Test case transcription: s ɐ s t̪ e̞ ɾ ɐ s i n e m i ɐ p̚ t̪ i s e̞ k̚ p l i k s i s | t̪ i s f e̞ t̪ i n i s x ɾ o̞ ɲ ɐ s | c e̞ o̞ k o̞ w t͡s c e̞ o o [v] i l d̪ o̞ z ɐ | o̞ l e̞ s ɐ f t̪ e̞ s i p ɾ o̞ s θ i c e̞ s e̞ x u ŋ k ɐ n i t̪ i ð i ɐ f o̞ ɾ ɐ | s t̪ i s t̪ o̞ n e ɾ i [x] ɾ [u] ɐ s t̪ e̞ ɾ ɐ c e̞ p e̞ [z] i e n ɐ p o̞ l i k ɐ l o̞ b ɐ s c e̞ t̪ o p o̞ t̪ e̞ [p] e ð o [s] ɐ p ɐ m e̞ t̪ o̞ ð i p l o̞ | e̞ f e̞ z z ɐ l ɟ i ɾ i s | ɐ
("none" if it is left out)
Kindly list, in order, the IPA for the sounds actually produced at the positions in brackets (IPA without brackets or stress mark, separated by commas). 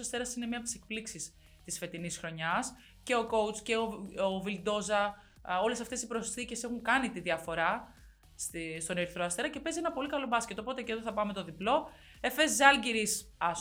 v, θ, o, z, c, θ